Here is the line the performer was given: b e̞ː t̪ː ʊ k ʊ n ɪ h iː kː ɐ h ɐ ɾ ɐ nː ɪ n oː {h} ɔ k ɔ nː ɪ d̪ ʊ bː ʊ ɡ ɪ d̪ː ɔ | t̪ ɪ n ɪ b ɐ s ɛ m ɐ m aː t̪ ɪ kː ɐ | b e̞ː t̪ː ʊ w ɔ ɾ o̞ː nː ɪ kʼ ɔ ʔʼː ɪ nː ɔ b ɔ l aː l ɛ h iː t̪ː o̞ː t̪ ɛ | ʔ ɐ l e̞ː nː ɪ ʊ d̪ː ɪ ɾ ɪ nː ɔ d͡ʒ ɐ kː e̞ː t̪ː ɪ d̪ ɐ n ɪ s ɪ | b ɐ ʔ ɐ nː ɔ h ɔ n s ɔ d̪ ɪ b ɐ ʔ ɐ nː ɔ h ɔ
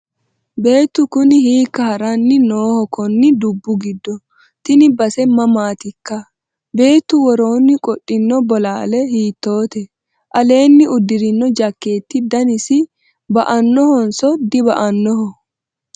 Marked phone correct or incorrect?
correct